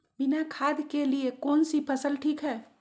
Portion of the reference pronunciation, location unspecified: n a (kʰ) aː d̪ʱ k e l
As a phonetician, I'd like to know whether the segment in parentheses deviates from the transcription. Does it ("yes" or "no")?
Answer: no